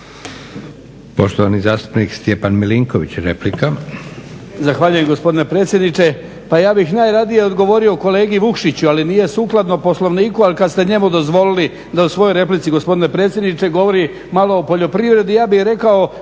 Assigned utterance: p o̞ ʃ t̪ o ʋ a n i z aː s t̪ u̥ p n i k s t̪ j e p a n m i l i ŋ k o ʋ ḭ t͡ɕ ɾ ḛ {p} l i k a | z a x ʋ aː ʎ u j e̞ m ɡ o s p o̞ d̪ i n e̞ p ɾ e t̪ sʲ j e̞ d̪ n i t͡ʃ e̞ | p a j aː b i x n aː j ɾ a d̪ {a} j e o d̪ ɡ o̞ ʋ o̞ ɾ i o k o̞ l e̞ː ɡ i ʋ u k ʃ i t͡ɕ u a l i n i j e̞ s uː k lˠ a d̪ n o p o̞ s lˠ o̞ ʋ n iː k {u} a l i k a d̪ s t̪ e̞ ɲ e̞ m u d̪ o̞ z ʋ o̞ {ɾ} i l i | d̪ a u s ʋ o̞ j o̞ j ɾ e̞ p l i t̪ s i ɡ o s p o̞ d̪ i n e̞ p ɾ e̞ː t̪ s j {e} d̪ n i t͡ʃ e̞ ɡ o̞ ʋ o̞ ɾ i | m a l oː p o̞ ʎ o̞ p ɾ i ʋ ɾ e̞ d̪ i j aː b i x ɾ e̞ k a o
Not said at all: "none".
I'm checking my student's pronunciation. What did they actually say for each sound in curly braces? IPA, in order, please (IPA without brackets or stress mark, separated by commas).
p, i, u, l, e